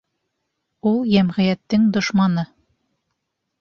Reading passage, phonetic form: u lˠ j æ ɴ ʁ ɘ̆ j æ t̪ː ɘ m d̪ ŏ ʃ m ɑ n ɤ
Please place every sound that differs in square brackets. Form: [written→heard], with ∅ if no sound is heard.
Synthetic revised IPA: u lˠ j æ [ɴ→m] ʁ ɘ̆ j æ t̪ː ɘ [m→ŋ] d̪ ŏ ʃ m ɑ n ɤ